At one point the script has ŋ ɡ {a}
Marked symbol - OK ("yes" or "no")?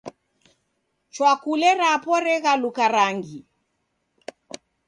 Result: no